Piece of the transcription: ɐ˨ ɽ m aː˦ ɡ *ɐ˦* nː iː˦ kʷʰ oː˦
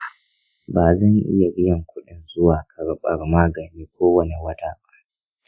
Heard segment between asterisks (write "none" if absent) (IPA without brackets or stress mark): ɐ˨